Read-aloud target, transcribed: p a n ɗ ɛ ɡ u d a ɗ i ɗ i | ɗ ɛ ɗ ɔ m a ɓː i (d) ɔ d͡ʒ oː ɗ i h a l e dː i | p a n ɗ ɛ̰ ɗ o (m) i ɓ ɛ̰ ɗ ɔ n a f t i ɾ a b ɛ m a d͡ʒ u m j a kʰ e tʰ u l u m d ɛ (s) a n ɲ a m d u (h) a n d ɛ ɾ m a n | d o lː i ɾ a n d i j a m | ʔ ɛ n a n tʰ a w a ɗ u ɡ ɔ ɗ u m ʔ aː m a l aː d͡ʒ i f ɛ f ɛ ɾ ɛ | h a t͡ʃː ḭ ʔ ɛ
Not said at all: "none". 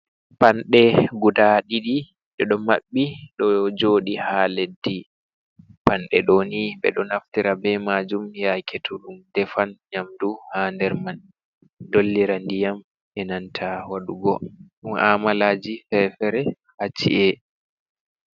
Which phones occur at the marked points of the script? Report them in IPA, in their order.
ɗ, n, f, h

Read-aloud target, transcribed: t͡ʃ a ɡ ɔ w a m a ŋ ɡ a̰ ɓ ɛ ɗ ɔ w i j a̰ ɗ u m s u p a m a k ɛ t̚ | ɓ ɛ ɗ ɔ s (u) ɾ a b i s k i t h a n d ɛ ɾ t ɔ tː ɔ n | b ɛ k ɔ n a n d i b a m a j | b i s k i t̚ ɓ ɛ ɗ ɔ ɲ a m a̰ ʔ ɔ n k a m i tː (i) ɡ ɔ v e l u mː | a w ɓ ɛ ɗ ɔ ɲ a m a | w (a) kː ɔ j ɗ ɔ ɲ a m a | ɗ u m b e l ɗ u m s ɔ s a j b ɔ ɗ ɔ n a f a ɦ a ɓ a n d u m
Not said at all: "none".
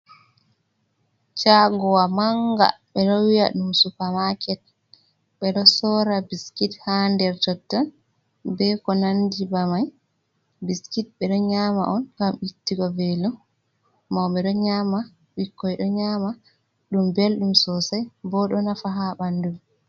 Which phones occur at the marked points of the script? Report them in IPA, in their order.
ɔ, i, i

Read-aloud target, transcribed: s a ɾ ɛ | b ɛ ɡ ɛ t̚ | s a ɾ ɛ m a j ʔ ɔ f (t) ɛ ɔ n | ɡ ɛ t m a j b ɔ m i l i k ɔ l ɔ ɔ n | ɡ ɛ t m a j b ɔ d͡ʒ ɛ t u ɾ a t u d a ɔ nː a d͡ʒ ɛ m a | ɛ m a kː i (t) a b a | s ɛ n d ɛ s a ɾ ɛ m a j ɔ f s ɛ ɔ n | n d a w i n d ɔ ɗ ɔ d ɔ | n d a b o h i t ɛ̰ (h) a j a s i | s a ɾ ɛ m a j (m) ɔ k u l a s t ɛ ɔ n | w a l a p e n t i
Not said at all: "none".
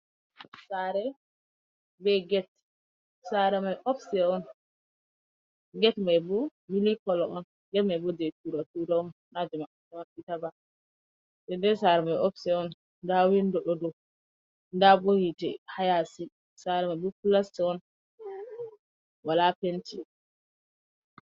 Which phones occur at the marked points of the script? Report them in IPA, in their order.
s, t, h, b

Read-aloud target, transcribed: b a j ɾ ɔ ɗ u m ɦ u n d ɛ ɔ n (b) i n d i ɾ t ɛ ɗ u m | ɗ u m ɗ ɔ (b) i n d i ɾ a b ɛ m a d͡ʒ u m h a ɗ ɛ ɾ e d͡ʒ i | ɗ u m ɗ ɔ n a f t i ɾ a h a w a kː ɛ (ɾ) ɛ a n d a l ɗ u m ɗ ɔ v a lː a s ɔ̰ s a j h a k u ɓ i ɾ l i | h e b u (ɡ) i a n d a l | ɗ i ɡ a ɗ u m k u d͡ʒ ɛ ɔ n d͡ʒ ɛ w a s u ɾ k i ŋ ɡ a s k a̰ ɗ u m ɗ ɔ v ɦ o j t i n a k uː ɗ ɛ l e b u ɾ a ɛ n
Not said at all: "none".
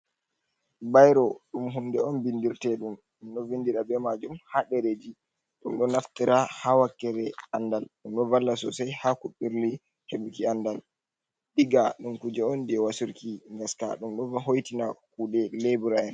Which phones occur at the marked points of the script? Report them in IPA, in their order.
b, v, ɾ, k

